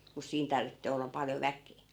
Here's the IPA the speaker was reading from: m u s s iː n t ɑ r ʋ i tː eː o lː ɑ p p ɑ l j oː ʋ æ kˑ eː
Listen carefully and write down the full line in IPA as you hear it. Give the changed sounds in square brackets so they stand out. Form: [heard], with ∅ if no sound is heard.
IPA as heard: m u s s iː n t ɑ r ʋ i tː eː o lː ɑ p p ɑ l j [o] ʋ æ kˑ eː